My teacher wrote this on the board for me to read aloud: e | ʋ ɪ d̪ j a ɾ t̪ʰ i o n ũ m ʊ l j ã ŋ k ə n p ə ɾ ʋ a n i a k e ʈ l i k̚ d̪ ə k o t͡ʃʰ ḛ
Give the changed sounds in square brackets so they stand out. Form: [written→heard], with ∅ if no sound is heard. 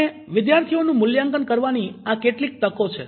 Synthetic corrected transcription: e | ʋ ɪ d̪ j a ɾ t̪ʰ i o n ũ m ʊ l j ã ŋ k ə n [p→k] ə ɾ ʋ a n i a k e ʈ l i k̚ [d̪→t̪] ə k o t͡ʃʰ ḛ

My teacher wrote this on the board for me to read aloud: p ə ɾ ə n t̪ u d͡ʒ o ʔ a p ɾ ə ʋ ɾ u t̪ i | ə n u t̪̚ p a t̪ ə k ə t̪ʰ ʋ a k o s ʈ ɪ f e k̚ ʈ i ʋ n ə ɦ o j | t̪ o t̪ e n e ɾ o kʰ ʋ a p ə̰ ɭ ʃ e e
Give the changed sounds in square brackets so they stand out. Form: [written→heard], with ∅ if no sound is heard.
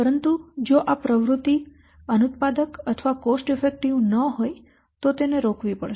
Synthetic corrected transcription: p ə ɾ ə n t̪ u d͡ʒ o ʔ a p ɾ ə ʋ ɾ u t̪ i | ə n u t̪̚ p a [t̪→d̪] ə k ə t̪ʰ ʋ a k o s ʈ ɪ f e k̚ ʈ i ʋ n ə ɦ o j | t̪ o t̪ e n e ɾ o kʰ ʋ [a→i] p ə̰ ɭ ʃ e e

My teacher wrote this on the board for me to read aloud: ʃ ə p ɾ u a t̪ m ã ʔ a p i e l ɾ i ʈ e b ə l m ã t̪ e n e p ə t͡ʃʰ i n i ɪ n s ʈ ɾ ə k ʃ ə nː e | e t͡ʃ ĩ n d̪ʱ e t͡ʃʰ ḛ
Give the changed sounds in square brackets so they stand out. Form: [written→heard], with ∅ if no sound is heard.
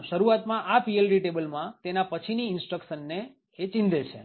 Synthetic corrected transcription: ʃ ə [p→∅] ɾ u a t̪ m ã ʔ a p i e l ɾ i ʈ e b ə l m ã t̪ e n [e→a] p ə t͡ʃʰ i n i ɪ n s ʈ ɾ ə k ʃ ə nː e | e t͡ʃ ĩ n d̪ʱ e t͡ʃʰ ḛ

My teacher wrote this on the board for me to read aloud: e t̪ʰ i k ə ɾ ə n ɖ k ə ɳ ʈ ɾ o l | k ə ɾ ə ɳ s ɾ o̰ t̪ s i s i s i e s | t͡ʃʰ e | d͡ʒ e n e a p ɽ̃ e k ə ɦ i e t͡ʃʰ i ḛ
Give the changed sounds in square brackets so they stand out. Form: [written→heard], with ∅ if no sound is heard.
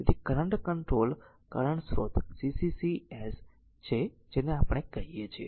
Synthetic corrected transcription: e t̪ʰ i k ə ɾ ə [n→ɳ] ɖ k ə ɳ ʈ ɾ o l | k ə ɾ ə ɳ s ɾ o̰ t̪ s i s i s i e s | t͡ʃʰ e | d͡ʒ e n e a p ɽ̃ e k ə ɦ i e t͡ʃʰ i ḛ

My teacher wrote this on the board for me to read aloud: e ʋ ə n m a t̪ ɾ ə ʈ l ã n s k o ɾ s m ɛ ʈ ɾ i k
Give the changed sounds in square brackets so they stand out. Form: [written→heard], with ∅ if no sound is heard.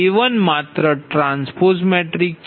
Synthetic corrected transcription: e ʋ ə n m a t̪ ɾ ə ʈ [l→ɾ] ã n s [k→p] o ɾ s m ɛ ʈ ɾ i k

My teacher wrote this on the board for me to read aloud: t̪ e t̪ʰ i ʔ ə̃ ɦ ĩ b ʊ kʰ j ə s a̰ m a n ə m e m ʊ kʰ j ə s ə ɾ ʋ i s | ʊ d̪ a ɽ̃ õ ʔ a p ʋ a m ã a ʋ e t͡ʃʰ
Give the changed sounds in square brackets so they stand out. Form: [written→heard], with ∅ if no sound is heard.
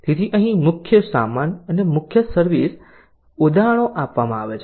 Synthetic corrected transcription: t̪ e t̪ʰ i ʔ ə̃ ɦ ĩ [b→m] ʊ kʰ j ə s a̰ m a n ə [m→n] e m ʊ kʰ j ə s ə ɾ ʋ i s | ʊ d̪ a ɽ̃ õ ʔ a p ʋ a m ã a ʋ e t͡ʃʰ

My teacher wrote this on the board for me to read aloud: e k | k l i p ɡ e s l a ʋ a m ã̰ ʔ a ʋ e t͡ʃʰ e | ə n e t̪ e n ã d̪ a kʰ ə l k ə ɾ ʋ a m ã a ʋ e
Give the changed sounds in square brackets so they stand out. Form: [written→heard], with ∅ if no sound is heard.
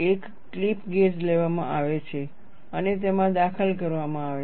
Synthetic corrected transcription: e k | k l i p ɡ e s l [a→e] ʋ a m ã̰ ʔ a ʋ e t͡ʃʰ e | ə n e t̪ e [n→m] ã d̪ a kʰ ə l k ə ɾ ʋ a m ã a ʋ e

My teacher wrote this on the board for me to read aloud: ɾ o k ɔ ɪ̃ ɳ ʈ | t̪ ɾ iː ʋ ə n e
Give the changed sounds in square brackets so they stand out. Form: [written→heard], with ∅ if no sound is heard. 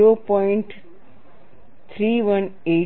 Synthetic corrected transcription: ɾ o [k→p] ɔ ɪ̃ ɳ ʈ | [t̪→t̪ʰ] ɾ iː ʋ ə n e

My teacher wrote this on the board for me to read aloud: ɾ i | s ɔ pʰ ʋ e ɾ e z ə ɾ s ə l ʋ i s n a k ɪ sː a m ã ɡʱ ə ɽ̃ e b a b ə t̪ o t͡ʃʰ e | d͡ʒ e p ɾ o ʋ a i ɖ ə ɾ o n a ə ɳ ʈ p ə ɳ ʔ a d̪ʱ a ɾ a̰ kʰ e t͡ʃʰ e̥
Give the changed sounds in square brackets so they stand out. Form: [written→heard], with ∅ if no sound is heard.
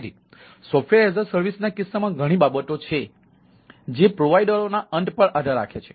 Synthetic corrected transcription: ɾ i | s ɔ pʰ ʋ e ɾ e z ə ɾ s ə [l→ɾ] ʋ i s n a k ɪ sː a m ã ɡʱ ə ɽ̃ [e→i] b a b ə t̪ o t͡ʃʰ e | d͡ʒ e p ɾ o ʋ a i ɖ ə ɾ o n a ə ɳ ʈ p ə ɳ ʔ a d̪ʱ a ɾ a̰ kʰ e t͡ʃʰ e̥

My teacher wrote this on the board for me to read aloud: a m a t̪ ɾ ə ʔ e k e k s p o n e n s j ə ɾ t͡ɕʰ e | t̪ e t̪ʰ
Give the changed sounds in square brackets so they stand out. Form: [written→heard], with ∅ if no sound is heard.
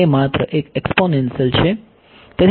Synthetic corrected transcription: [a→e] m a t̪ ɾ ə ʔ e k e k s p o n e n s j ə [ɾ→l] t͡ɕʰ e | t̪ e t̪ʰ

